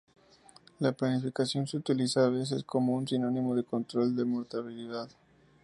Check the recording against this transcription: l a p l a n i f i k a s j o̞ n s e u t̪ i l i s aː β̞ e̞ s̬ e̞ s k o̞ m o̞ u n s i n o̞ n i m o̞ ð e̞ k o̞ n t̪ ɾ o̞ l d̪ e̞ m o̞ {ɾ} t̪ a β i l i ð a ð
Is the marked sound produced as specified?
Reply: yes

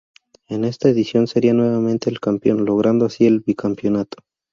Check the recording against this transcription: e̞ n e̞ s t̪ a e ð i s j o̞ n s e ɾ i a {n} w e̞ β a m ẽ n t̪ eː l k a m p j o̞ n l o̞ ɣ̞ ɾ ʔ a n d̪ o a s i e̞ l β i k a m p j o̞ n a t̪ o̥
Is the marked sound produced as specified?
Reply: yes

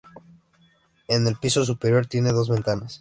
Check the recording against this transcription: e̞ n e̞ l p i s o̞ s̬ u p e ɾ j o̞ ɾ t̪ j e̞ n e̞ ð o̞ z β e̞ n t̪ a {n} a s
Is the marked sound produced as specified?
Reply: yes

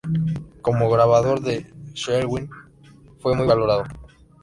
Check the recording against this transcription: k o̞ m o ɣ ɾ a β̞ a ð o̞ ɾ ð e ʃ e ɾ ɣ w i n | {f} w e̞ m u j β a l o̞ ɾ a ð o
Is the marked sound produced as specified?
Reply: yes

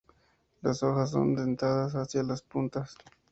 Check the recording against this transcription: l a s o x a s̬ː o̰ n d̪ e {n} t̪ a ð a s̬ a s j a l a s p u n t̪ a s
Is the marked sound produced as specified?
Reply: yes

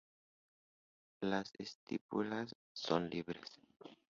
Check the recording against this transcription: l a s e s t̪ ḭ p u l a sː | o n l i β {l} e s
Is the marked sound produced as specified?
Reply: no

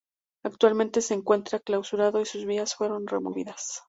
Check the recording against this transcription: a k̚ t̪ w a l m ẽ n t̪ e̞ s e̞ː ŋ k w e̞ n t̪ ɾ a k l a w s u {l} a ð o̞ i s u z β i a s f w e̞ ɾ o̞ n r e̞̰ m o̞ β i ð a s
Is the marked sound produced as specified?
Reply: no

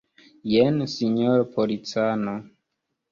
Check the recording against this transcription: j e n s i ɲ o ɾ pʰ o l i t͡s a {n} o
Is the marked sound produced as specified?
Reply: yes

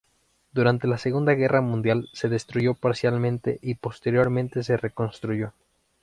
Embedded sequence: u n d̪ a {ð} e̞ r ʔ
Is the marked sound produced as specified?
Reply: no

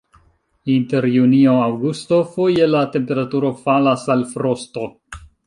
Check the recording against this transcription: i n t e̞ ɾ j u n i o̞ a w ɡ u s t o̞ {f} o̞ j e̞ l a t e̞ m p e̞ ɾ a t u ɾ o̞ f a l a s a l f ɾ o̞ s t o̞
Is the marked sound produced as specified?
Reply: yes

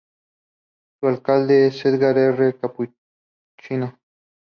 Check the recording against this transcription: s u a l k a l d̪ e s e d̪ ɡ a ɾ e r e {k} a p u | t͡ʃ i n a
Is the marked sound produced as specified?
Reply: yes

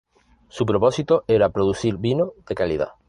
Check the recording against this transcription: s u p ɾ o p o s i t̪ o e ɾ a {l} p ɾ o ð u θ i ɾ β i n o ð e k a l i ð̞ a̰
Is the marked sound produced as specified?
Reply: no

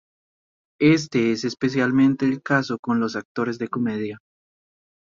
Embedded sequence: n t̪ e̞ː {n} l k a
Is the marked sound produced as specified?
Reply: no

